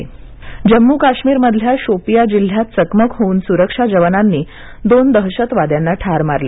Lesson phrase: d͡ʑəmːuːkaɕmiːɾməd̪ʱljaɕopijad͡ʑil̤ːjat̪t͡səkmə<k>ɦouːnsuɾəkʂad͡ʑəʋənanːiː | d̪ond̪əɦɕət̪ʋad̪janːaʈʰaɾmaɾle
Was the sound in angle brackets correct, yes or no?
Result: yes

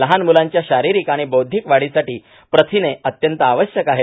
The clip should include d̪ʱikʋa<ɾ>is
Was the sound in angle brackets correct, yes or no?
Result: no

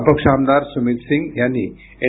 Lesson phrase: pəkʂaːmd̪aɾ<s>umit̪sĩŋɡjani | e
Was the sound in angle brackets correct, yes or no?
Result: yes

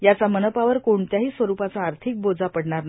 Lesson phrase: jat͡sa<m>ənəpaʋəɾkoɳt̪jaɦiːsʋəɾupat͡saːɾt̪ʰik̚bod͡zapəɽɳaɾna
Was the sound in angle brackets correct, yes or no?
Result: yes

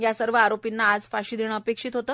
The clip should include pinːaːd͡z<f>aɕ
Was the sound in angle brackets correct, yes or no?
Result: yes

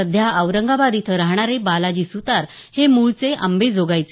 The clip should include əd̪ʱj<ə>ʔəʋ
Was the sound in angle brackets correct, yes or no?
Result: no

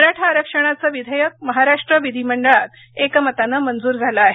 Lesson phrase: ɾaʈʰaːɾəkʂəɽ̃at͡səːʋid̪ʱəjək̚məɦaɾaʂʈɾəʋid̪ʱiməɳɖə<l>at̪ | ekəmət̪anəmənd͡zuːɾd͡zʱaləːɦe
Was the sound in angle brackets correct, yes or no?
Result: no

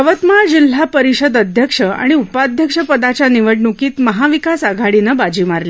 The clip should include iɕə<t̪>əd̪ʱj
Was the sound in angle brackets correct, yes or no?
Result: no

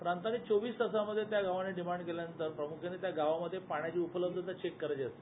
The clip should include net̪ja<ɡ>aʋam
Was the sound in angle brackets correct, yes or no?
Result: yes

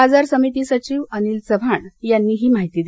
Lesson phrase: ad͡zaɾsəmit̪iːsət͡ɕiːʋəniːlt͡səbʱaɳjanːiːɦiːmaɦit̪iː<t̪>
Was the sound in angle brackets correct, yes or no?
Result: no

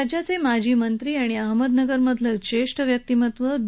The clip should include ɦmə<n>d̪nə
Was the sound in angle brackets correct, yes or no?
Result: no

